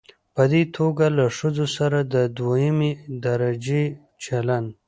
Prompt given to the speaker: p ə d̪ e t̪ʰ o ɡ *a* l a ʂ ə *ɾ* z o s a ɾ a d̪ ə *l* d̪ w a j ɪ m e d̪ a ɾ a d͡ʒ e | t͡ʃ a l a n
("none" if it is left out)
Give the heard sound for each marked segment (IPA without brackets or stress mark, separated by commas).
a, none, none